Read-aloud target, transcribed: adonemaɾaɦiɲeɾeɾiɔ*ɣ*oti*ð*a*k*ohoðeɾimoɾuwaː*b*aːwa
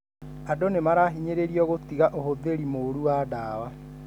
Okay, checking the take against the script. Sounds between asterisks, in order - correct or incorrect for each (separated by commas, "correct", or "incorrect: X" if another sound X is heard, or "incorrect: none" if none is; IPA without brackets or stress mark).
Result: correct, incorrect: ɣ, incorrect: ʔ, incorrect: d